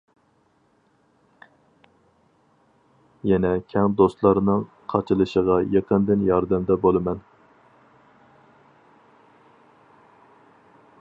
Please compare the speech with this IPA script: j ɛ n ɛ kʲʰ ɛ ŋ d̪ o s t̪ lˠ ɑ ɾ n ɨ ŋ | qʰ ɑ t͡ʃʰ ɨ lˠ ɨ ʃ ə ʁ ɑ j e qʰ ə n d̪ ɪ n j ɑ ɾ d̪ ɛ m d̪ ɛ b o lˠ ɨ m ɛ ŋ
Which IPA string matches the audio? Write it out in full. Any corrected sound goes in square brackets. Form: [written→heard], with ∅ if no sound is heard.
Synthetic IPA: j ɛ n ɛ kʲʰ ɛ ŋ d̪ o s t̪ lˠ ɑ ɾ n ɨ ŋ | qʰ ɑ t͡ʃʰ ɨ lˠ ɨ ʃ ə ʁ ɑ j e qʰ ə n d̪ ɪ n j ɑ ɾ d̪ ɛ m d̪ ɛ b o lˠ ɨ m ɛ [ŋ→n]

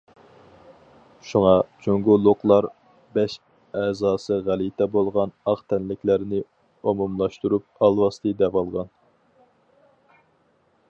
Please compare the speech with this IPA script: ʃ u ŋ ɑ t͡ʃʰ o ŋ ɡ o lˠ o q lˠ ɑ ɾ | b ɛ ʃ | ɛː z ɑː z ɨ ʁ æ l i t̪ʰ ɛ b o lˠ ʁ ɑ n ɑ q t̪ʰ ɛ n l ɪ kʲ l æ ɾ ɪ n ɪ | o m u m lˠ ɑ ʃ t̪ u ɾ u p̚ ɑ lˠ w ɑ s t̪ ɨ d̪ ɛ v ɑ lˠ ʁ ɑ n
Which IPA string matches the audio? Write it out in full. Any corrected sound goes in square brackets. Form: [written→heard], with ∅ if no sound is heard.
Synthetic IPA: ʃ u ŋ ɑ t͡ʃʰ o ŋ ɡ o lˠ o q lˠ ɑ ɾ | b ɛ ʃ | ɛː z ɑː [z→s] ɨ ʁ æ l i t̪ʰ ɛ b o lˠ ʁ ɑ n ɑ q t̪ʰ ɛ n l ɪ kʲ l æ ɾ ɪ n ɪ | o m u m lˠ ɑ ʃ t̪ u ɾ u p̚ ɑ lˠ w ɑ s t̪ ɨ d̪ ɛ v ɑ lˠ ʁ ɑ n

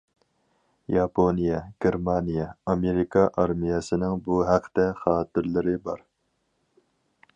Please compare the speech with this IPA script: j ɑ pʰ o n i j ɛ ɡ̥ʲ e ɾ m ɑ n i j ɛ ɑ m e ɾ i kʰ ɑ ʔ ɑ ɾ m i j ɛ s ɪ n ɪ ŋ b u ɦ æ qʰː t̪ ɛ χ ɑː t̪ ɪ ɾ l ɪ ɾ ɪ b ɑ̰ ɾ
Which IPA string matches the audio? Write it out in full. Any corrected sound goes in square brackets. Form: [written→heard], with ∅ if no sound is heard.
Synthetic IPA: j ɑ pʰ o n i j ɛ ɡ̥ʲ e ɾ m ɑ n i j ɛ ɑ m e ɾ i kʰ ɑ ʔ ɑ ɾ m i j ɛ s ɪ n ɪ ŋ b u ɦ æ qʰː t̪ ɛ χ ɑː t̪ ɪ ɾ l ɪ ɾ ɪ b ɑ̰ ɾ

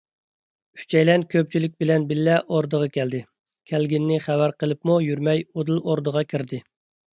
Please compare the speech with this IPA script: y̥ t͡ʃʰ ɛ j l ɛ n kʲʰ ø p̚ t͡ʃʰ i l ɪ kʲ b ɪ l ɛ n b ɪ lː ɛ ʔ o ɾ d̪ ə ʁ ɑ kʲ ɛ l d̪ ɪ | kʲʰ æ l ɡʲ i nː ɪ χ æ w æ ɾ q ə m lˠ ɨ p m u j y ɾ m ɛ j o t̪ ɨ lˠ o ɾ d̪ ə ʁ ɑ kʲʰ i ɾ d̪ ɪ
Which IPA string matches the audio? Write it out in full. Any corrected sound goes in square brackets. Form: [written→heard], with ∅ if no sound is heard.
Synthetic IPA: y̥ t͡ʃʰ ɛ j l ɛ n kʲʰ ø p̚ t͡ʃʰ i l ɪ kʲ b ɪ l ɛ n b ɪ lː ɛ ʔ o ɾ d̪ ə ʁ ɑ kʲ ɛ l d̪ ɪ | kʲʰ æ l ɡʲ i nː ɪ χ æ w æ ɾ q ə [m→∅] lˠ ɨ p m u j y ɾ m ɛ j o [t̪→d̪] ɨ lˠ o ɾ d̪ ə ʁ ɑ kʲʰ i ɾ d̪ ɪ

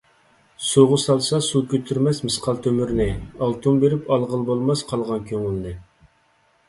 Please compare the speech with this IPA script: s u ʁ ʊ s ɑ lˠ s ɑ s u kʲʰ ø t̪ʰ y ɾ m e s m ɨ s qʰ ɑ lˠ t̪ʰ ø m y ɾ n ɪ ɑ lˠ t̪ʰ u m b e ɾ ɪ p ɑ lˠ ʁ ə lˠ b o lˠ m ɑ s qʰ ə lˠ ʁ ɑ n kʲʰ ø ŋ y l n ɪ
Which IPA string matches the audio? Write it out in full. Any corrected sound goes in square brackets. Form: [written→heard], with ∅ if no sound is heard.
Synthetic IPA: s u ʁ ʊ s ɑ lˠ s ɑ s u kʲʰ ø t̪ʰ y ɾ m [e→ɛ] s m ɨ s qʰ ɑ lˠ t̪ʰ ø m y ɾ n ɪ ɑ lˠ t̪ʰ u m b e ɾ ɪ p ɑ lˠ ʁ ə lˠ b o lˠ m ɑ s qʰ [ə→ɑ] lˠ ʁ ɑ n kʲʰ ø ŋ y l n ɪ

